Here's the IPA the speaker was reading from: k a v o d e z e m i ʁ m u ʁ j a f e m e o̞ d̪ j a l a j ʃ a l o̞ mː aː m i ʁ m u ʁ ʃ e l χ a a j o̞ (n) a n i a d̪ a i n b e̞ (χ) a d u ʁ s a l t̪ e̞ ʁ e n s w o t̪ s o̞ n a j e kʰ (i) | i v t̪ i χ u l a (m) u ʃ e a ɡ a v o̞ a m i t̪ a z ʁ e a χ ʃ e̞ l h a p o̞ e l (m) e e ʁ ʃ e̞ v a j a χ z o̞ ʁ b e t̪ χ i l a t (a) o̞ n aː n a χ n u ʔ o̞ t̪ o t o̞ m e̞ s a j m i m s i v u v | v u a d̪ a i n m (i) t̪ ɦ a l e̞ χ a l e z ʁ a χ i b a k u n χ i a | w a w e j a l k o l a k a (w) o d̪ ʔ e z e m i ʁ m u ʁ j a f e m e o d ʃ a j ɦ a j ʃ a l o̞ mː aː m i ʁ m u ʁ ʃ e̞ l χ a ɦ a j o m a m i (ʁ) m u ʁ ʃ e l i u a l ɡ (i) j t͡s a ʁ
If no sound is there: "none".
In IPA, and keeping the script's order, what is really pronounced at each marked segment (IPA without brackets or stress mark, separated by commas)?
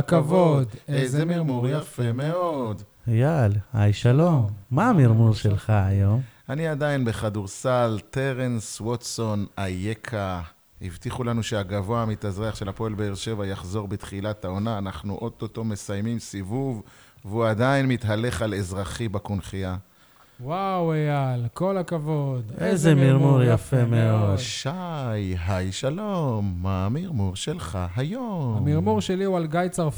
m, χ, a, n, b, a, i, v, ʁ, a